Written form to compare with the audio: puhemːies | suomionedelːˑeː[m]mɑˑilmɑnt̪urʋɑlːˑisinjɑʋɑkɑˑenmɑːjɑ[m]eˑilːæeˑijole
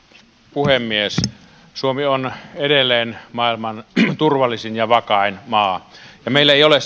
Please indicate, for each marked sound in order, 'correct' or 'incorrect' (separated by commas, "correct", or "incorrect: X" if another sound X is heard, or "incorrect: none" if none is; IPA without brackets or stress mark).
incorrect: n, correct